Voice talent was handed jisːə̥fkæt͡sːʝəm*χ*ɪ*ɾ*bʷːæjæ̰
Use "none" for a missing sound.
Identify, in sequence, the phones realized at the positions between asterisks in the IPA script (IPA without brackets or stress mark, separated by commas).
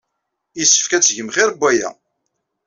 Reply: χ, ɾ